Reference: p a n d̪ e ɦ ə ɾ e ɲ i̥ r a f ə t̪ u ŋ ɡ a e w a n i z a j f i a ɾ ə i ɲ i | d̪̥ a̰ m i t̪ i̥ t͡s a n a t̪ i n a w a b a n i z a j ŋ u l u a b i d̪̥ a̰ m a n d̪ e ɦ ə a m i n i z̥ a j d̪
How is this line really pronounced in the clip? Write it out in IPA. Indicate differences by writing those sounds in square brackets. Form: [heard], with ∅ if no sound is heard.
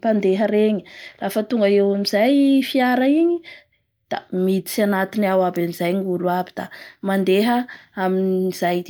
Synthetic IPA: p a n d̪ e ɦ ə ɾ e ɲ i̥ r a f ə t̪ u ŋ ɡ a e w a [m] i z a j f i a ɾ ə i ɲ i | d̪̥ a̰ m i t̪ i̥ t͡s a n a t̪ i n a w a b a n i z a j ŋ u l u a b i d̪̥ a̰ m a n d̪ e ɦ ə a m i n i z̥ a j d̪